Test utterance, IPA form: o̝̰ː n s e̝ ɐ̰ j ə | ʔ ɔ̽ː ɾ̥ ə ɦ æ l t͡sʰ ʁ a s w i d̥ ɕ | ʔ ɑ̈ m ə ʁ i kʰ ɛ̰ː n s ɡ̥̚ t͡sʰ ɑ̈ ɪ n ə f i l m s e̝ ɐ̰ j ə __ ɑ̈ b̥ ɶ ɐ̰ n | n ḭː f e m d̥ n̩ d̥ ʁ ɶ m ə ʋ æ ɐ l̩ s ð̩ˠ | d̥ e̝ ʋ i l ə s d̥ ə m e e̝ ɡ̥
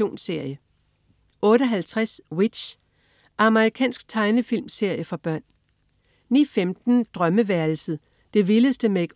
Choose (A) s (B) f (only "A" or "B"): B